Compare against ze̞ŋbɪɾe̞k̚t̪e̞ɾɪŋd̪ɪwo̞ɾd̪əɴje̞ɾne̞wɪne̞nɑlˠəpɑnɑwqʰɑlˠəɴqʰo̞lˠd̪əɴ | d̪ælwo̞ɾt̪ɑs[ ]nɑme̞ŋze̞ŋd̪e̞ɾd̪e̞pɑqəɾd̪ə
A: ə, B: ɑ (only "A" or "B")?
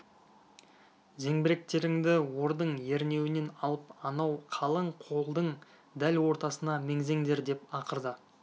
A